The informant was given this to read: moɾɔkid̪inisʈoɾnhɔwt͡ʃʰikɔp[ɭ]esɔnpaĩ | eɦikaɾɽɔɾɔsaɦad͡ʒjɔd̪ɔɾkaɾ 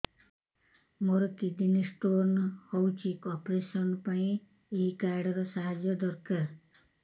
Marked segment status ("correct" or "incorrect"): incorrect